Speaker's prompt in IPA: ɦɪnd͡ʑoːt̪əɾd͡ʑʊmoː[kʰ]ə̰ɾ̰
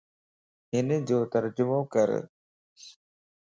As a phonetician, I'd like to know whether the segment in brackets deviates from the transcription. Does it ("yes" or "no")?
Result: yes